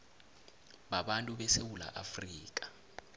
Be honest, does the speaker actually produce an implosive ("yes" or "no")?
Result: yes